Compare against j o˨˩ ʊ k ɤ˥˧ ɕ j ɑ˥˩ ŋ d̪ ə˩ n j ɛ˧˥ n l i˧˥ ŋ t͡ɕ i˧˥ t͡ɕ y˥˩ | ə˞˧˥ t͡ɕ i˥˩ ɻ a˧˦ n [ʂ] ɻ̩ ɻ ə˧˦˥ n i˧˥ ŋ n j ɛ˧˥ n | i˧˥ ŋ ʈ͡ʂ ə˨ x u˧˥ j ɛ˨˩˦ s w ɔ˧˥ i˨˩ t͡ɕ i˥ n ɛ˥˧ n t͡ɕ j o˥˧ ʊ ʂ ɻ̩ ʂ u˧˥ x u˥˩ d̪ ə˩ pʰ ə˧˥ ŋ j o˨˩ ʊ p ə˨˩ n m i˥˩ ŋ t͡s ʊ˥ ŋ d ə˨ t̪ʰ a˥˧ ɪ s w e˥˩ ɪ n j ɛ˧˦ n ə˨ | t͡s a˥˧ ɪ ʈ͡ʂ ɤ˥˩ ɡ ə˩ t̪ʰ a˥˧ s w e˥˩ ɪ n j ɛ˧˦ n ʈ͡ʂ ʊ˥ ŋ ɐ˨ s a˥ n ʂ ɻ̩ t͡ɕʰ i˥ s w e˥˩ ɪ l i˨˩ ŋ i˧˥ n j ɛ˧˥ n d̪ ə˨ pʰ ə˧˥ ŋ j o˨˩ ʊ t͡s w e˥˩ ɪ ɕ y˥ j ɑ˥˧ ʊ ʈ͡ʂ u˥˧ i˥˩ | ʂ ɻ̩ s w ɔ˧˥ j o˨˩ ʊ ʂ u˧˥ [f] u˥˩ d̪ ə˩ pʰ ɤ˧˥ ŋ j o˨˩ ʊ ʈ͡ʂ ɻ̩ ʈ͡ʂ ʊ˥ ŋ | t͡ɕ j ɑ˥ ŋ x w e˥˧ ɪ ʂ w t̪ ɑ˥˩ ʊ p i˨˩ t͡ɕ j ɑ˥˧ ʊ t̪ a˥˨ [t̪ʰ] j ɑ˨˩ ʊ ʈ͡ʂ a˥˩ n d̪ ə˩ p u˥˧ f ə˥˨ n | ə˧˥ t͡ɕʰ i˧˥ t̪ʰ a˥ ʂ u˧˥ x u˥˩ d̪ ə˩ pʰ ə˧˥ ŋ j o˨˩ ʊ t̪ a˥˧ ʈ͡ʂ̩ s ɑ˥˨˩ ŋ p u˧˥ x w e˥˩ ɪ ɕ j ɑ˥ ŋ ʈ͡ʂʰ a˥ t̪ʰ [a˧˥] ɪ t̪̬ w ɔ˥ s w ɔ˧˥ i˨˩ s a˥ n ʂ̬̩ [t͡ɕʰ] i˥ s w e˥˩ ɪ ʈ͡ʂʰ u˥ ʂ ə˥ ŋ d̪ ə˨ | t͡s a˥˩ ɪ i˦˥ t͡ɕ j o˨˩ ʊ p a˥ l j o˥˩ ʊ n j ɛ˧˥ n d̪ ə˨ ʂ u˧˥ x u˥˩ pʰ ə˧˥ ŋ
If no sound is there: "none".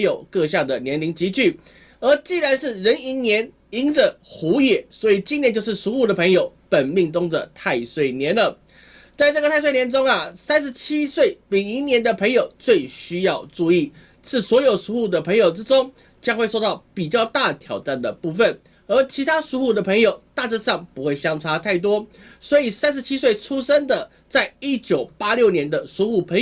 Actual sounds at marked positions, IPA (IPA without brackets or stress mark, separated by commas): ʂ, x, t̪ʰ, a˥˩, t͡ɕʰ